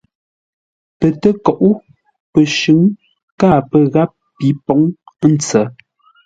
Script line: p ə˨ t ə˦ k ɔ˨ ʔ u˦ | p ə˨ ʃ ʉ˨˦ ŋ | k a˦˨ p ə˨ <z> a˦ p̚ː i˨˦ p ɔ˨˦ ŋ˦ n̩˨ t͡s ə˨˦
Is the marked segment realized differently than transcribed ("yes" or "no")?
yes